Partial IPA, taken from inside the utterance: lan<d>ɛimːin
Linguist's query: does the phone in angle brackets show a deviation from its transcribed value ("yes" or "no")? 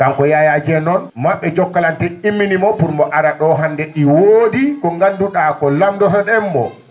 yes